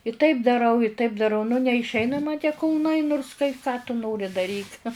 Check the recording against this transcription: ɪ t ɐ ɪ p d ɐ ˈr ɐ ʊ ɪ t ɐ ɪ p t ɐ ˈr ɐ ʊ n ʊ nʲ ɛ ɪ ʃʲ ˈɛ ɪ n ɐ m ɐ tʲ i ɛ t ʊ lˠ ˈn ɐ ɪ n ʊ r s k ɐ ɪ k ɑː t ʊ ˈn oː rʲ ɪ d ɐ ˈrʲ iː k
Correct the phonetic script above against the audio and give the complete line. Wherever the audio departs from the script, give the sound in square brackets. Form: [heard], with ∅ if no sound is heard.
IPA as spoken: ɪ t ɐ ɪ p d ɐ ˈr ɐ ʊ ɪ t ɐ ɪ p [d] ɐ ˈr ɐ ʊ n ʊ nʲ ɛ ɪ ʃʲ ˈɛ ɪ n ɐ m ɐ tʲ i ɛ [k] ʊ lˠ ˈn ɐ ɪ n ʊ r s k ɐ ɪ k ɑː t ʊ ˈn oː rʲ ɪ d ɐ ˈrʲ iː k